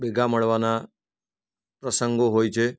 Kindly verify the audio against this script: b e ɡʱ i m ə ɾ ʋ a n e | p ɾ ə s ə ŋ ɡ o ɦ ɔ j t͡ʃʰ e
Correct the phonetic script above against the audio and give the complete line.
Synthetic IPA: b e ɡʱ a m ə ɭ ʋ a n a | p ɾ ə s ə ŋ ɡ o ɦ o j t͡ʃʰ e